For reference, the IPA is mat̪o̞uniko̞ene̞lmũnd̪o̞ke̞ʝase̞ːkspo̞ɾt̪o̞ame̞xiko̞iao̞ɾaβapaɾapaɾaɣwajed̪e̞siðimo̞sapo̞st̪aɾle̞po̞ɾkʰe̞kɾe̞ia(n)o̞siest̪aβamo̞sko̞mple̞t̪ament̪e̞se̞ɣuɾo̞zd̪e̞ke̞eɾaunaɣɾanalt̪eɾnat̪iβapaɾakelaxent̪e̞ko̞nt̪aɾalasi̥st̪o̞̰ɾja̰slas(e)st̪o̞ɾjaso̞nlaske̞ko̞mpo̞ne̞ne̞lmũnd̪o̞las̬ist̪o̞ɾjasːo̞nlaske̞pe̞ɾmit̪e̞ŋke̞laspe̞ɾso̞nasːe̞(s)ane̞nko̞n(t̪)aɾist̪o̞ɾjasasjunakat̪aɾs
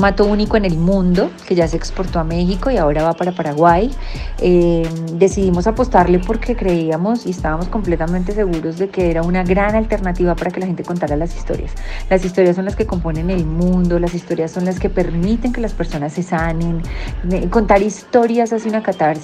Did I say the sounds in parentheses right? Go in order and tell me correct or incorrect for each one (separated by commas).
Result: incorrect, incorrect, correct, correct